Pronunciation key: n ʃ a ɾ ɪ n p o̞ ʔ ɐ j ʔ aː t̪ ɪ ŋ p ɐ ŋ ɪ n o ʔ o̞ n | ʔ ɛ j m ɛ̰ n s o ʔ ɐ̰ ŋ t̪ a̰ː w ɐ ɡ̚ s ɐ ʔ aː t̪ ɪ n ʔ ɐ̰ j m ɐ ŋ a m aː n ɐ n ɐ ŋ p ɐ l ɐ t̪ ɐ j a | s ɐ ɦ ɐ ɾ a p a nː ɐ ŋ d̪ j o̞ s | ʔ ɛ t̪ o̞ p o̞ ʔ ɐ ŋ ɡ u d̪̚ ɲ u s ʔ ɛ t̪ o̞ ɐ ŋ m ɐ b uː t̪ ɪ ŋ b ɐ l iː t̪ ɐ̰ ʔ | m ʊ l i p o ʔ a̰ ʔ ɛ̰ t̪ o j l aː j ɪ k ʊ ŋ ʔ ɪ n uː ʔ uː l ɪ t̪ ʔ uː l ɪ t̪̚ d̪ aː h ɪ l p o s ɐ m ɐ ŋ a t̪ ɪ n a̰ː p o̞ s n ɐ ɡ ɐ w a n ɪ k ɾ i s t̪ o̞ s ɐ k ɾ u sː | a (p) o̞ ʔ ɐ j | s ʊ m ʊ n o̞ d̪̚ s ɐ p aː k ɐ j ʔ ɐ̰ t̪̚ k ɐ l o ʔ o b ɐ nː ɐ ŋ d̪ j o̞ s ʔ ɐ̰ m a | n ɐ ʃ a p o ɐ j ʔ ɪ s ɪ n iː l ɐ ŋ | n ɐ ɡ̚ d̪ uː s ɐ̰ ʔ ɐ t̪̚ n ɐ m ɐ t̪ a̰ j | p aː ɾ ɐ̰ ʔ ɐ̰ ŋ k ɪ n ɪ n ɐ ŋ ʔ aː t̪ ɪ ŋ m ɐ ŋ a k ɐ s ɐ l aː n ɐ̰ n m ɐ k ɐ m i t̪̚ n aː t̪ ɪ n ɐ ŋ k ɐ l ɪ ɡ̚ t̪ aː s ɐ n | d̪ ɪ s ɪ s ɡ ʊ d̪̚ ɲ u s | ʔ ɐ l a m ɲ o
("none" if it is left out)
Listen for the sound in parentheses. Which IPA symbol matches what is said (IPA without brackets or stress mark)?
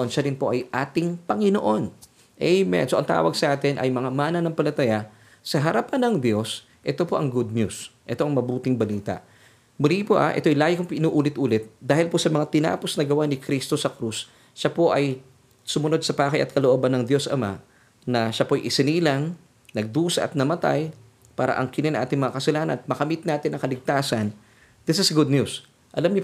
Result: p